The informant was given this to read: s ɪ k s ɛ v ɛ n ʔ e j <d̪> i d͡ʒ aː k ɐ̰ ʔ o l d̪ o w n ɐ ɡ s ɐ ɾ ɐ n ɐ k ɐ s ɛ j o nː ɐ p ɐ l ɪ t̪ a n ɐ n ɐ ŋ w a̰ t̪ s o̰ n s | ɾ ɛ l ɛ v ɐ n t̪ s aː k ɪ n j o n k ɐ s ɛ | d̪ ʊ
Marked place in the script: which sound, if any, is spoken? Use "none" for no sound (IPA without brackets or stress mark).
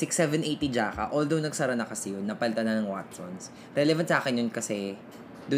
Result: t̪